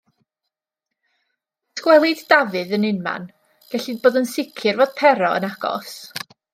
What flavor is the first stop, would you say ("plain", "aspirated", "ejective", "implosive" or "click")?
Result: plain